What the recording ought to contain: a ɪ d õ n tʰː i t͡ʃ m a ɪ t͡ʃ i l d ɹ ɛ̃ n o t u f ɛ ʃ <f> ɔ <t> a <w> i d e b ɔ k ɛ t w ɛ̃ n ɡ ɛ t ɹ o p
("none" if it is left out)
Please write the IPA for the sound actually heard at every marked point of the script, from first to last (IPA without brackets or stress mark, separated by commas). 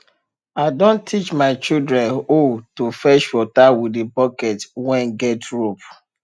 f, t, w